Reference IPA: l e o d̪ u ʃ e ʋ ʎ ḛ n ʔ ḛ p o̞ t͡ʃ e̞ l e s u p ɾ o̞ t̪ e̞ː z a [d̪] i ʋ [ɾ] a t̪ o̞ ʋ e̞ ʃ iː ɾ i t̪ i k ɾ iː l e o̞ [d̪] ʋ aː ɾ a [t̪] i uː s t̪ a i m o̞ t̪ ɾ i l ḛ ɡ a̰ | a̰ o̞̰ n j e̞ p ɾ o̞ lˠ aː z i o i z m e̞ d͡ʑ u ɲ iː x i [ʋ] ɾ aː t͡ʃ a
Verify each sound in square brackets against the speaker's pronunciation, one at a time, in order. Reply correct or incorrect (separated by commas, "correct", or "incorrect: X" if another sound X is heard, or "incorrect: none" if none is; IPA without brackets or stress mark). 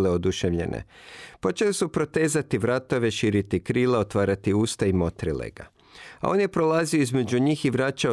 incorrect: t̪, correct, incorrect: t̪, correct, correct